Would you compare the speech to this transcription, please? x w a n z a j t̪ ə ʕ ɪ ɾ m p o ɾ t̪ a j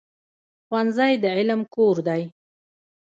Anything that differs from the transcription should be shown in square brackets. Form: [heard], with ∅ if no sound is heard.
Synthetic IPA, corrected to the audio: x w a n z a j [d̪] ə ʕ ɪ [l] m [k] o ɾ [d̪] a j